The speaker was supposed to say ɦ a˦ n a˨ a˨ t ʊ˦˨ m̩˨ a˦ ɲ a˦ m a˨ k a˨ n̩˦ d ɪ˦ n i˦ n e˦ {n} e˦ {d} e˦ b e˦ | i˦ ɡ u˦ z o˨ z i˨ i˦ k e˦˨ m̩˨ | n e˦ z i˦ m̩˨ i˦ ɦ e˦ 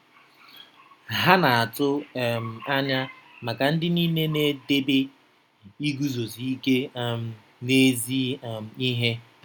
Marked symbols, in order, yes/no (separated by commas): yes, yes